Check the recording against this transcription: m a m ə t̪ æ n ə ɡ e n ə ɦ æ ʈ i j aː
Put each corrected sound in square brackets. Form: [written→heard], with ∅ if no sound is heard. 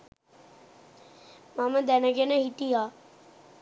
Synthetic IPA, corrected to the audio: m a m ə [t̪→d̪] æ n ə ɡ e n ə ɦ [æ→i] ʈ i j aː